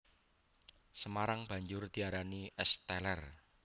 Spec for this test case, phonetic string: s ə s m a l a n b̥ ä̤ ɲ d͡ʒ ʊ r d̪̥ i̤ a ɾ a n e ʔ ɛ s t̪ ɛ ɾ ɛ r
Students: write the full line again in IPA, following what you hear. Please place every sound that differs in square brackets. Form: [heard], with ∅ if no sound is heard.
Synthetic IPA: s ə [∅] m a [ɾ] a [ŋ] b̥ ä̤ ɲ d͡ʒ ʊ r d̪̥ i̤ a ɾ a n [i] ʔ ɛ s t̪ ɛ [l] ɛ r